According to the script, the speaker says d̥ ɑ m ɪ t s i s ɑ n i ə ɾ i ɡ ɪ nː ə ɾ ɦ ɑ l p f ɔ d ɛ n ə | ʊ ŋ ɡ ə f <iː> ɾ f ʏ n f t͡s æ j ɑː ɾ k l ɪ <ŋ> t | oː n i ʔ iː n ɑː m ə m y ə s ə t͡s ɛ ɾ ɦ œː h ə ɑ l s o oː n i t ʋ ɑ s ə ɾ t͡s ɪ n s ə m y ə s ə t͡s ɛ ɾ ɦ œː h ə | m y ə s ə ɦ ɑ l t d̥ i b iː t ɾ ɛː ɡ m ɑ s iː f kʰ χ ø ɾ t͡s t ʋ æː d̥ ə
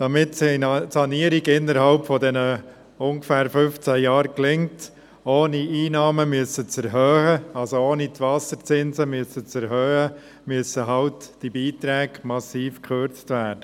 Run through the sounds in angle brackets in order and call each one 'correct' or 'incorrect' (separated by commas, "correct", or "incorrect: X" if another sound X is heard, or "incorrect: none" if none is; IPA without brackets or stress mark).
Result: incorrect: æː, correct